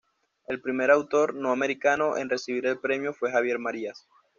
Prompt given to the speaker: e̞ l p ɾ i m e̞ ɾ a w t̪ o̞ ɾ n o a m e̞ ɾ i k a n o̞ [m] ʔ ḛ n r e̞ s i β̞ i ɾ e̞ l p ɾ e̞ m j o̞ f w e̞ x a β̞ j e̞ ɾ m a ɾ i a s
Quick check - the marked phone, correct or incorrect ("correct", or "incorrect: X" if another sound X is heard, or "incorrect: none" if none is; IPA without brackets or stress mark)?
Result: incorrect: none